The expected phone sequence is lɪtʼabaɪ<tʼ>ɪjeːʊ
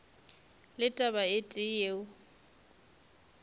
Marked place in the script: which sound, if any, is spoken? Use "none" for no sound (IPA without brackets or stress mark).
tʼ